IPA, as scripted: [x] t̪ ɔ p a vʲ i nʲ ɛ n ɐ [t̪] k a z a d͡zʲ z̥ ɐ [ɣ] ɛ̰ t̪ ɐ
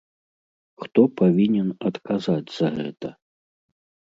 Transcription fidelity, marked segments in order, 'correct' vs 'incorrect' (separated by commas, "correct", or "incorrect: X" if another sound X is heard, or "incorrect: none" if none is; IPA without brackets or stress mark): correct, correct, correct